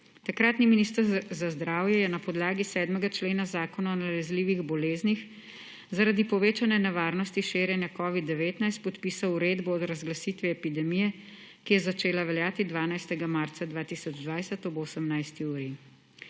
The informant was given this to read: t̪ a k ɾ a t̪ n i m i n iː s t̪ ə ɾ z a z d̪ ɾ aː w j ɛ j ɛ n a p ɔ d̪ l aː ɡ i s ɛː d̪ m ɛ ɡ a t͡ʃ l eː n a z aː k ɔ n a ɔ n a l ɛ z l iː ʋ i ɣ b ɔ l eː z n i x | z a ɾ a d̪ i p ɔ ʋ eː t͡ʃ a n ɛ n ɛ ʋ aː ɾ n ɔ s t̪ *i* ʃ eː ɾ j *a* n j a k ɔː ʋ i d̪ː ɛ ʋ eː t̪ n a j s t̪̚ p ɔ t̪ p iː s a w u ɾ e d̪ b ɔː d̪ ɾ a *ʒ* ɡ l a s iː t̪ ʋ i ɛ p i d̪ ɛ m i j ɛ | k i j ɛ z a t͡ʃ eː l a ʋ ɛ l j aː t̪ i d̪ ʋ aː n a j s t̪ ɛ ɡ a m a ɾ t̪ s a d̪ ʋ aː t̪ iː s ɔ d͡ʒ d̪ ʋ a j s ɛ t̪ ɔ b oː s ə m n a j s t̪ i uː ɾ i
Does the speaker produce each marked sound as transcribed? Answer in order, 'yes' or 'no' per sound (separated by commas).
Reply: yes, no, no